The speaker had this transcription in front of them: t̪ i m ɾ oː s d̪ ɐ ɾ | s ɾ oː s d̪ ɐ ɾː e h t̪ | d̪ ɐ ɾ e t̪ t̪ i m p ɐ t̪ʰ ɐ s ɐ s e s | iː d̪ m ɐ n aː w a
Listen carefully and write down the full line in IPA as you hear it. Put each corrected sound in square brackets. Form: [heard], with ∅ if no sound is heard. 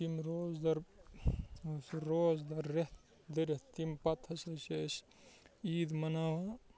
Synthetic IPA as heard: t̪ i m ɾ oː [z] d̪ ɐ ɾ | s ɾ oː [z] d̪ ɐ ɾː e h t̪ | d̪ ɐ ɾ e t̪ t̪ i m p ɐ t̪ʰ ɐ s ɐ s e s | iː d̪ m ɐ n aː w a